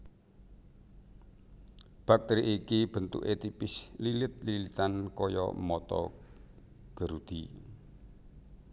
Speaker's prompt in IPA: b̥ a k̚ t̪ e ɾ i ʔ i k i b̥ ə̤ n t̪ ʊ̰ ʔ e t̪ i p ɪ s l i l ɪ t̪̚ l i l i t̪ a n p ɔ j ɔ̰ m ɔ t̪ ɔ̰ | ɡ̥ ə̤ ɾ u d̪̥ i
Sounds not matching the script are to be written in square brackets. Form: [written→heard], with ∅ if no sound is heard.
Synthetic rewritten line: b̥ a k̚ t̪ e ɾ i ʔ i k i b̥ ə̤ n t̪ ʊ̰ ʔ e t̪ i p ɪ s l i l ɪ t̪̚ l i l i t̪ a n [p→k] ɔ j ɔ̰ m ɔ t̪ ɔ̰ | ɡ̥ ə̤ ɾ u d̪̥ i